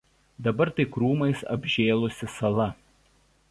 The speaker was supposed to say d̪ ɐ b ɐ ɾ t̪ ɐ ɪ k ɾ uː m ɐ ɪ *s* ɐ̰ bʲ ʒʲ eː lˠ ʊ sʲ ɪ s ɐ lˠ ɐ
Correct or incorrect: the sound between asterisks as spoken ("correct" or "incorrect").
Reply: correct